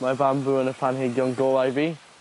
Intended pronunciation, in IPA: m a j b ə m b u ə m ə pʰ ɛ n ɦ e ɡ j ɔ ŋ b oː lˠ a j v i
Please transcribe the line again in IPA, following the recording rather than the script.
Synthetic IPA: m a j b a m b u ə n ə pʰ a n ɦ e ɡ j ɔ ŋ ɡ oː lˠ a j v i